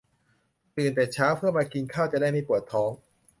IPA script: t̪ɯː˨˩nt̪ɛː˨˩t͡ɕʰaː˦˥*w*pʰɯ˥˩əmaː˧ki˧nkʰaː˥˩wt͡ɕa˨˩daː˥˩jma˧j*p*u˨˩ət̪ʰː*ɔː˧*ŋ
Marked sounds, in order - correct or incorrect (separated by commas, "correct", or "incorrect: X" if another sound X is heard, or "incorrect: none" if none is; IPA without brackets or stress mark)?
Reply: correct, correct, incorrect: ɔː˦˥